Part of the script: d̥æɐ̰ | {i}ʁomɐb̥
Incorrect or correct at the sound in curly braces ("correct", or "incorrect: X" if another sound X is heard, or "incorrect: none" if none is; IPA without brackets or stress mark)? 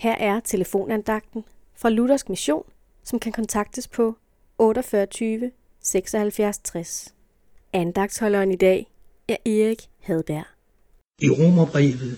correct